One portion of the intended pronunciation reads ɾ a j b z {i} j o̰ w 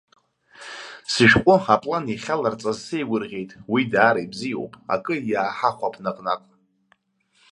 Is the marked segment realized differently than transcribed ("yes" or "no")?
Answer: no